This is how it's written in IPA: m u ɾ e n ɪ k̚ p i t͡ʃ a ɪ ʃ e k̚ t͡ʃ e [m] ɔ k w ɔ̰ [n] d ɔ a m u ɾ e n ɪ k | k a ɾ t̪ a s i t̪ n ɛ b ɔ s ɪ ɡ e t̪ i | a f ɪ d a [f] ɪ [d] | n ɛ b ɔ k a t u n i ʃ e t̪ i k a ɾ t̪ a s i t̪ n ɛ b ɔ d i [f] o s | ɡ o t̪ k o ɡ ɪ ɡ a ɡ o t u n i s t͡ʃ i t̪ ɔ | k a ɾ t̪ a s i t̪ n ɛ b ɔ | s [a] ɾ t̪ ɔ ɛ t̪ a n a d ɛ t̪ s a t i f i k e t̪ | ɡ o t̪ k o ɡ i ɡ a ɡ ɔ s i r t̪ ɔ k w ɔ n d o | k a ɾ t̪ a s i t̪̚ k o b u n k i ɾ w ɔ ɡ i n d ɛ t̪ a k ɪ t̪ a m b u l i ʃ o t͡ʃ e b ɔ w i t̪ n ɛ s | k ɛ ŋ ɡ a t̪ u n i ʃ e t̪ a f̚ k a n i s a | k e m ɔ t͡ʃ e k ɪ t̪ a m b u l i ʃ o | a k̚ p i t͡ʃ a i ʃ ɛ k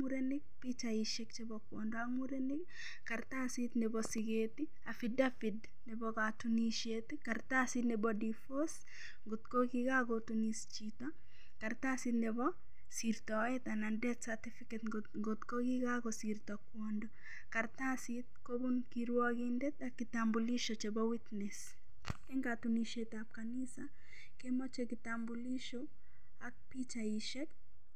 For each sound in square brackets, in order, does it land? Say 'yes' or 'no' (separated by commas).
no, yes, yes, yes, yes, no